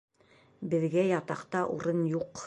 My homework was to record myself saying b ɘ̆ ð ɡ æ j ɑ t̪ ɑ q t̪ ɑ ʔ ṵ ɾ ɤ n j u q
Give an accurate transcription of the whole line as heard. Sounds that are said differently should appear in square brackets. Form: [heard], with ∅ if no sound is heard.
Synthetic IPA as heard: b ɘ̆ ð ɡ æ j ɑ t̪ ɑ q t̪ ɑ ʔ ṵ ɾ ɤ n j u q